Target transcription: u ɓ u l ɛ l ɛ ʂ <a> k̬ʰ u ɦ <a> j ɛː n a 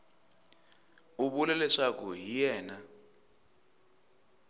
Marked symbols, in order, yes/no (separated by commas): yes, no